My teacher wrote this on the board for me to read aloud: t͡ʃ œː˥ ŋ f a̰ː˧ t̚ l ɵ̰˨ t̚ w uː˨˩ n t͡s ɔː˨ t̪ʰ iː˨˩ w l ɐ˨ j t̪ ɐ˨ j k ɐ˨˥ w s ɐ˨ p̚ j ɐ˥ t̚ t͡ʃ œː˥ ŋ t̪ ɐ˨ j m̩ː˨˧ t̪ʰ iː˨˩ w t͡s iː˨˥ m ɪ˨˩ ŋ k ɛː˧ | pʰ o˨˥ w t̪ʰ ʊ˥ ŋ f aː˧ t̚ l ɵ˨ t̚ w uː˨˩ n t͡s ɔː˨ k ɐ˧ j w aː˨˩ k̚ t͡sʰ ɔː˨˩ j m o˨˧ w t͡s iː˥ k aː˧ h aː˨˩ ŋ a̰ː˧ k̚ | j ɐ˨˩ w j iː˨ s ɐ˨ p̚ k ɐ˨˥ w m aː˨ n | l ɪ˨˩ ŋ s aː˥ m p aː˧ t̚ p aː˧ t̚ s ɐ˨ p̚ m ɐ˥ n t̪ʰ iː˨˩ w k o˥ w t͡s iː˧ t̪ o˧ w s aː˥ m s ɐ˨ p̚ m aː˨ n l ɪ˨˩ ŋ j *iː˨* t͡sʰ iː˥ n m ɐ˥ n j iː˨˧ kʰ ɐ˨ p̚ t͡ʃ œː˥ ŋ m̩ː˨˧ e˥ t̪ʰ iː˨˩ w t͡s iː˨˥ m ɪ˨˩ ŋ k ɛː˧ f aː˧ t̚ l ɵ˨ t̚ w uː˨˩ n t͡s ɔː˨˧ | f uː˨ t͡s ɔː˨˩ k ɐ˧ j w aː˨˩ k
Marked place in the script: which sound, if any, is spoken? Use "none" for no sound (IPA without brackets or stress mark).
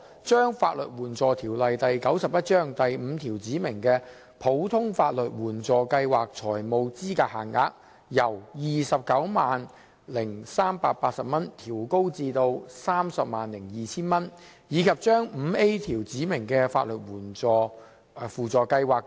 iː˨